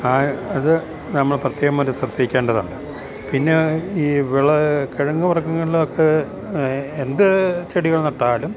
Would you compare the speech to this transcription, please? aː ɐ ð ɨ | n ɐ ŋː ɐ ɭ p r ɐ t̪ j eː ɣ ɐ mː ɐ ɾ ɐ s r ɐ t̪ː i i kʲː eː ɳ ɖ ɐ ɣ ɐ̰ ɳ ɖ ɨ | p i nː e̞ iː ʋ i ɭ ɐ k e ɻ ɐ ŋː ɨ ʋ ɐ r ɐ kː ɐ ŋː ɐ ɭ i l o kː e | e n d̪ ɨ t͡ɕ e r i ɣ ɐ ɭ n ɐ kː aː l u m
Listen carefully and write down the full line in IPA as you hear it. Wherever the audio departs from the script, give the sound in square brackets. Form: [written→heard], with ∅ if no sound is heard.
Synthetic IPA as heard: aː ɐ ð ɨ | n ɐ [ŋː→mː] ɐ ɭ p r ɐ t̪ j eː ɣ ɐ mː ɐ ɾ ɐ s r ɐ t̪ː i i kʲː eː ɳ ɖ ɐ [ɣ→ð] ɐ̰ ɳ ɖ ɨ | p i nː e̞ iː ʋ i ɭ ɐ k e ɻ ɐ ŋː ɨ ʋ ɐ r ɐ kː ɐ ŋː ɐ ɭ i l o kː e | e n d̪ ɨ t͡ɕ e [r→ɽ] i ɣ ɐ ɭ n ɐ [kː→ʈː] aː l u m